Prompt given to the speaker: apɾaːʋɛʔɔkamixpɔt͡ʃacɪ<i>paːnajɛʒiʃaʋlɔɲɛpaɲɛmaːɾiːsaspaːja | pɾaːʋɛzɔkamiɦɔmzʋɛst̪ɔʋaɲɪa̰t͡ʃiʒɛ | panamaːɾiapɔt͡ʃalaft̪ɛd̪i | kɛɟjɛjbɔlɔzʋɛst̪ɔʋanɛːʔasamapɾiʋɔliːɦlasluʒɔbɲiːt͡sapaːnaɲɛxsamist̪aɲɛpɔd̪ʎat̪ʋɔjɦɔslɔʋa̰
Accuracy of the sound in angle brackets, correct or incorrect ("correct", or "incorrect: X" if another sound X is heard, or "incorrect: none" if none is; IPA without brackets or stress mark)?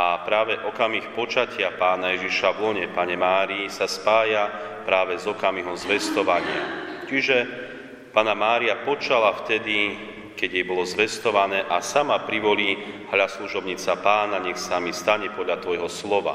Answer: incorrect: a